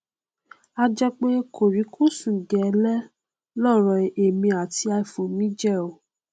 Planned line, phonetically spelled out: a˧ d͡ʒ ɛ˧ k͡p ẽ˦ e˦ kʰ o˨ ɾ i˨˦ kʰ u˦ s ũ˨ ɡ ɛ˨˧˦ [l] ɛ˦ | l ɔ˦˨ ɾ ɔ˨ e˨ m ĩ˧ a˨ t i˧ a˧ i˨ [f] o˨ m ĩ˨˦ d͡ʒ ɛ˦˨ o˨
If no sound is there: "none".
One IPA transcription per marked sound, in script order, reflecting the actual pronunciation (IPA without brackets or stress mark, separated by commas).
l, f